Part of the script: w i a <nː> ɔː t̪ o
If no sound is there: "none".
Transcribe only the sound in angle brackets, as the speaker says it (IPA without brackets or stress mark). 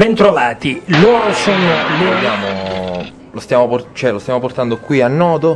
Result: nː